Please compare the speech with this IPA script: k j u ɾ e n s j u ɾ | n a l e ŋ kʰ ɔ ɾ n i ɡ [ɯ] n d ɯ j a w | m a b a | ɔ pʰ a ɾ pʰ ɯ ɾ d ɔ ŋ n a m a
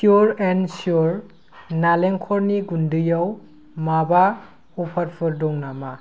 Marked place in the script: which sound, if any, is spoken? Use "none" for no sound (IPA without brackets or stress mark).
u